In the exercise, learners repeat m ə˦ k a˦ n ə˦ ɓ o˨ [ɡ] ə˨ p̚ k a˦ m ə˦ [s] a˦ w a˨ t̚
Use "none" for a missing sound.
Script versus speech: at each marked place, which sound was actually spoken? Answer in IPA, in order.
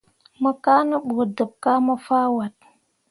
d, f

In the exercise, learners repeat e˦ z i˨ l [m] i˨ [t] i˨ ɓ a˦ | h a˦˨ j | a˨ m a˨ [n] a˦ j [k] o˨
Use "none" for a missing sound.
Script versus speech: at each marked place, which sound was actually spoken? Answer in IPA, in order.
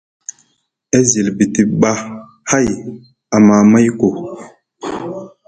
b, t, m, k

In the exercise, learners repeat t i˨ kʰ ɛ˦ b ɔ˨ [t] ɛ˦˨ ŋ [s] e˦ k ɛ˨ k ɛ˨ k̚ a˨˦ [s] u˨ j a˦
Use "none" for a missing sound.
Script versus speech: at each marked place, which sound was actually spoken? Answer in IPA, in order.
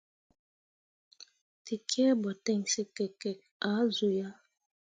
t, s, z

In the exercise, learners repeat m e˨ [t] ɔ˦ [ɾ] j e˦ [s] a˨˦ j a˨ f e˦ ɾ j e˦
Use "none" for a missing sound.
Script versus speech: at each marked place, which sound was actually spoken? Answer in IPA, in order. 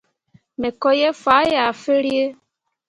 k, none, f

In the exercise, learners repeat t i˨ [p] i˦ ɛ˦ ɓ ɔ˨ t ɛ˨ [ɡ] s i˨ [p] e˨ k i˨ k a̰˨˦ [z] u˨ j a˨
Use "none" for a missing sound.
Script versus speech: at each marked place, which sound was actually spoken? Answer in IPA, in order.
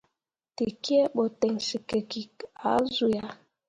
k, ŋ, k, z

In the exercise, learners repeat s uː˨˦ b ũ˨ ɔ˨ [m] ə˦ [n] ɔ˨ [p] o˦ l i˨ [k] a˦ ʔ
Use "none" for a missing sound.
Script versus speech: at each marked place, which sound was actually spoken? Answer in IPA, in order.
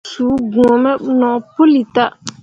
m, n, p, t

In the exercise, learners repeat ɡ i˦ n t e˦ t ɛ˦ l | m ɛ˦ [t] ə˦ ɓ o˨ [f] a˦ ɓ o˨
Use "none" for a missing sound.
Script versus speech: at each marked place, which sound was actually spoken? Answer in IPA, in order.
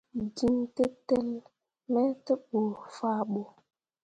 t, f

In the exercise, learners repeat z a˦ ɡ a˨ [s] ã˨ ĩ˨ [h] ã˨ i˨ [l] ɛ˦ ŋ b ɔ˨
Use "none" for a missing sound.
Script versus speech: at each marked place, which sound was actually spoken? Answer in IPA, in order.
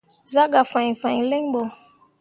f, f, l

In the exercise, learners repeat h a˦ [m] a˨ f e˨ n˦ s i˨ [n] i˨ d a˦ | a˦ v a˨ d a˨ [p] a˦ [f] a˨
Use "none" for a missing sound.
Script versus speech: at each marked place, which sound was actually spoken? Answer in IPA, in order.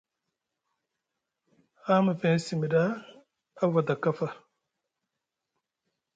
m, m, k, f

